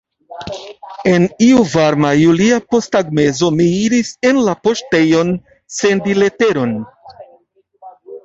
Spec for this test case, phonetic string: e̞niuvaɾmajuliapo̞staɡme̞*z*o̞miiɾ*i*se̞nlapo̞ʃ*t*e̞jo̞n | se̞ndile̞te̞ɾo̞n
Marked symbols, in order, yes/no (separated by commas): yes, yes, yes